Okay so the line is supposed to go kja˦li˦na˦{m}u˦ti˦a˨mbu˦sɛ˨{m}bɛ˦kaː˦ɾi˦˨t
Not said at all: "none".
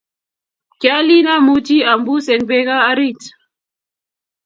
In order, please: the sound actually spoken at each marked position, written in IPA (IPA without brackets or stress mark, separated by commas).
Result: m, ŋ